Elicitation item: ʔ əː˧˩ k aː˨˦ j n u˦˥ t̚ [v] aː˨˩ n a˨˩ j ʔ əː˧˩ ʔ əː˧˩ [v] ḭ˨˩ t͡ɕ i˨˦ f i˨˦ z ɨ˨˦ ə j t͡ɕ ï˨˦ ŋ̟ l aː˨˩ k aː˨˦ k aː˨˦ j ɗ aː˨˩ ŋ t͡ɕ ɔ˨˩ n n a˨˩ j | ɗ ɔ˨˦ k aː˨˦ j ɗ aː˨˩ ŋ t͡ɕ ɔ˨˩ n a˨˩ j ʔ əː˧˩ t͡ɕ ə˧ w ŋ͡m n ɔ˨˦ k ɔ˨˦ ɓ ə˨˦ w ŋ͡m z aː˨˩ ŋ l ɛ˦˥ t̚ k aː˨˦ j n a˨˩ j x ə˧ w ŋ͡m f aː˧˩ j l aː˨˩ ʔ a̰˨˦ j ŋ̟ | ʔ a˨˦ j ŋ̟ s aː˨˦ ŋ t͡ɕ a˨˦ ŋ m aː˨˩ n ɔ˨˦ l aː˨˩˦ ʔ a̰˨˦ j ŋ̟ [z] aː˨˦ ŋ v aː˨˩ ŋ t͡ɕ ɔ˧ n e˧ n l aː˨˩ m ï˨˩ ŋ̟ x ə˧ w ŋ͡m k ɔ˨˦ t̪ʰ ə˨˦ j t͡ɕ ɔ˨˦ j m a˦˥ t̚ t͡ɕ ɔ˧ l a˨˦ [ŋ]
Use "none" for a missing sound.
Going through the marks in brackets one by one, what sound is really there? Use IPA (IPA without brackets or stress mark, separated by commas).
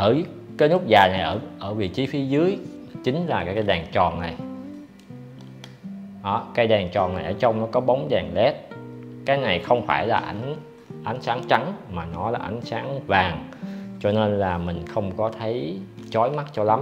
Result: z, v, s, m